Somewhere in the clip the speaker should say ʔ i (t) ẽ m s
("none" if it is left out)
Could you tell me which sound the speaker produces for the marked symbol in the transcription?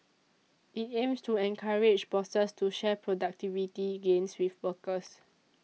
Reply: t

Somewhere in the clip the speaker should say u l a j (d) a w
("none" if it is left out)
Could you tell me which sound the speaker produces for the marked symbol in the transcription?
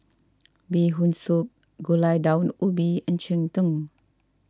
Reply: d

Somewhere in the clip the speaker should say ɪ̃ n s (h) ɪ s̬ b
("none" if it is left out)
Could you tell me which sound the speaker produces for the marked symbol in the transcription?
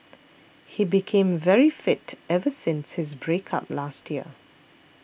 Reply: h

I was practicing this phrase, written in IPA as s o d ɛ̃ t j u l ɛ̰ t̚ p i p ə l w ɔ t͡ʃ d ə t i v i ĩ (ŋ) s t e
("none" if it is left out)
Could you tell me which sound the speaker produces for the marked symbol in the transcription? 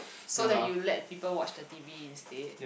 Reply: n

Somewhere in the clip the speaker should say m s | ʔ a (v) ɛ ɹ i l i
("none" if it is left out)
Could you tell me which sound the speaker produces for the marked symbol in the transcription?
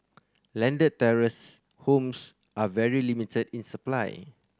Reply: v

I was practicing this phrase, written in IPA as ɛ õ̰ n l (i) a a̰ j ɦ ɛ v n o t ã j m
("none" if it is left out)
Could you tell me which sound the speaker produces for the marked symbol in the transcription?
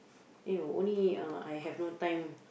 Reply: i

